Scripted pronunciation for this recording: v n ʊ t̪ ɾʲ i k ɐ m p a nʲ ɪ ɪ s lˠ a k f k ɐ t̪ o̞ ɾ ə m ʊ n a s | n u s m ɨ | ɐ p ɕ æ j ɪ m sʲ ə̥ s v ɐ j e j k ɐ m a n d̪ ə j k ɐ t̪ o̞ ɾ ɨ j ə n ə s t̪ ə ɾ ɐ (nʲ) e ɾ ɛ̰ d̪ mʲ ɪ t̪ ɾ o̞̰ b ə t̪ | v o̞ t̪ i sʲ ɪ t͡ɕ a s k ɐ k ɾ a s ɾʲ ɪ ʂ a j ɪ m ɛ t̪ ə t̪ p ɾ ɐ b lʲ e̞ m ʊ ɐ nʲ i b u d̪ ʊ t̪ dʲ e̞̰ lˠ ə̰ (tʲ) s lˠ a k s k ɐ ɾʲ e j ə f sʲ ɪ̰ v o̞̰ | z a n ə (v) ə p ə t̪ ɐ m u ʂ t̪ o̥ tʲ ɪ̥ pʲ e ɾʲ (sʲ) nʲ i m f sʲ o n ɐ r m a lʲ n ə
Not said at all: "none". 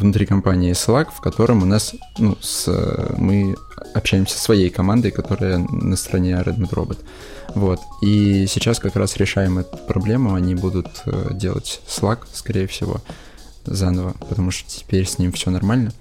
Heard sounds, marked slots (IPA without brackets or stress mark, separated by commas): nʲ, tʲ, v, sʲ